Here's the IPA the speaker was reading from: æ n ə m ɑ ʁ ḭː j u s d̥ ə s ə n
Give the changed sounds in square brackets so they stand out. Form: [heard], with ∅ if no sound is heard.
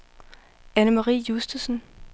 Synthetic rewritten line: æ n ə m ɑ ʁ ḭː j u s d̥ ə s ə n